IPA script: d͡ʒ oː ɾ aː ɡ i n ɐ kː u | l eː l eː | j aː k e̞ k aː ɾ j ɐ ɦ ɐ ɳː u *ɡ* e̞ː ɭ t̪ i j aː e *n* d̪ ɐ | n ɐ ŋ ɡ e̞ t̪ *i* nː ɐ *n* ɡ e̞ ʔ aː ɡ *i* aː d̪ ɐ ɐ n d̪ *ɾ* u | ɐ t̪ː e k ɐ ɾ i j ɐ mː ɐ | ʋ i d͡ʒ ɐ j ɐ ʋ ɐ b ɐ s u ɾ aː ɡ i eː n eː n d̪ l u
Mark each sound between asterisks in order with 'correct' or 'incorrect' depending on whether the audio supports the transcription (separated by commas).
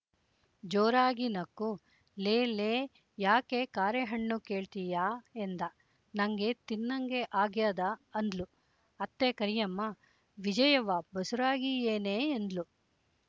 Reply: incorrect, correct, correct, incorrect, incorrect, incorrect